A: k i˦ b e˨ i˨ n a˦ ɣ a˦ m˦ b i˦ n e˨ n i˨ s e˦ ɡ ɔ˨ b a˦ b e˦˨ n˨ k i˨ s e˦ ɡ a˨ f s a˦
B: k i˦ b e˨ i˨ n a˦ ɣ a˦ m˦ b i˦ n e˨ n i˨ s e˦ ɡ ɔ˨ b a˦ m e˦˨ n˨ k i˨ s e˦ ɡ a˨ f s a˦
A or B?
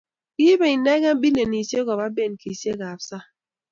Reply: A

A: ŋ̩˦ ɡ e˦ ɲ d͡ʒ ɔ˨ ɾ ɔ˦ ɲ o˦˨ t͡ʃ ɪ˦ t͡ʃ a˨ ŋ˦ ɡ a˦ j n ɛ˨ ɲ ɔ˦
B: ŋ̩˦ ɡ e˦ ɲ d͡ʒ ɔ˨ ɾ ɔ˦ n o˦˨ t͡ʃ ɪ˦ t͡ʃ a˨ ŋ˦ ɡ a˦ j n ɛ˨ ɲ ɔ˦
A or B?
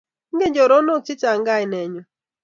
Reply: B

